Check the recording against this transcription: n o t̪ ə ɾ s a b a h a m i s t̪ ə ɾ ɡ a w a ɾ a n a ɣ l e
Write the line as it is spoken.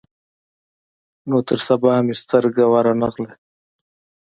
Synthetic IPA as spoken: n o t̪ ə ɾ s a b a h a m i s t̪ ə ɾ ɡ a w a ɾ a n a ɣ l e